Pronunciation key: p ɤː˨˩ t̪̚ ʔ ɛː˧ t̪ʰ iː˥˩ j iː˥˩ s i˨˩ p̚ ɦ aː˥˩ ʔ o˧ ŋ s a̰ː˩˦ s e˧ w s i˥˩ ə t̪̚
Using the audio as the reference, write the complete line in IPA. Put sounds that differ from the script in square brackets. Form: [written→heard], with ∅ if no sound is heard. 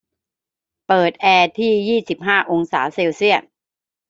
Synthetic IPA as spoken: p ɤː˨˩ t̪̚ ʔ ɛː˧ t̪ʰ iː˥˩ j iː˥˩ s i˨˩ p̚ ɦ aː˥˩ ʔ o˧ ŋ s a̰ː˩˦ s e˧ w s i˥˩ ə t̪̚